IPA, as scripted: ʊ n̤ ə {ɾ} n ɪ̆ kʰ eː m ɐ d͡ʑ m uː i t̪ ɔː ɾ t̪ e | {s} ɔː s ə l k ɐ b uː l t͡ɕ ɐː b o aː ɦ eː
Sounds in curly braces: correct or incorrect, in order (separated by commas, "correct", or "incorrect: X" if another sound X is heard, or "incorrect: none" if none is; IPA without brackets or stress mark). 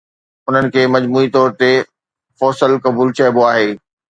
incorrect: none, incorrect: f